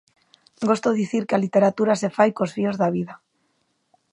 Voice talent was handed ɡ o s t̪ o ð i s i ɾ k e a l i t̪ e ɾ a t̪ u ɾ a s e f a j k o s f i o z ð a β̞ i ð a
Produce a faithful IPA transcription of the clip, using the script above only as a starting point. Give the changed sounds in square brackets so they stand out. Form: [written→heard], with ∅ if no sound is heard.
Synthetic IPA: ɡ o s t̪ o ð i [s→θ] i ɾ k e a l i t̪ e ɾ a t̪ u ɾ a s e f a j k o s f i o z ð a β̞ i ð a